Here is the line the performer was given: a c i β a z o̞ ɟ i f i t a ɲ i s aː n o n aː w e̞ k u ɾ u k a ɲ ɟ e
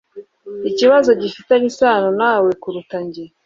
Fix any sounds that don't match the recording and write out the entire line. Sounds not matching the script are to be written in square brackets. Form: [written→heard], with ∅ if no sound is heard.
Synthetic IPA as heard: [a→i] c i β a z o̞ ɟ i f i t a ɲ i s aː n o n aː w e̞ k u ɾ u [k→t] a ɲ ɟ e